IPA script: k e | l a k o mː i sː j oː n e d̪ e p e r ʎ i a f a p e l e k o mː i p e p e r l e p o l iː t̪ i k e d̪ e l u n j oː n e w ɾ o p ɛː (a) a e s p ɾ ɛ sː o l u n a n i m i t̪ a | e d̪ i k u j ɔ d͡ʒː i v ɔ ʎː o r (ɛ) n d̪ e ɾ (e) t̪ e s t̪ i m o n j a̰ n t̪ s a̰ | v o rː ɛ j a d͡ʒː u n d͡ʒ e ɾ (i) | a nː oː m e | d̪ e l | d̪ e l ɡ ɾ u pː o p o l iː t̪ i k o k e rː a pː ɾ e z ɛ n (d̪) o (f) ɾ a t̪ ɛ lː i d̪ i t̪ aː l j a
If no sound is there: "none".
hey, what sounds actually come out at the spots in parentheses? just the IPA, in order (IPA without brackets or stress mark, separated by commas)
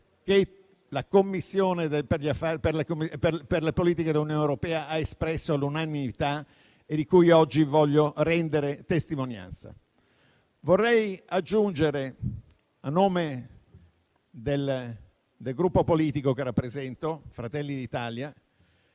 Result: a, ɛ, e, e, t̪, f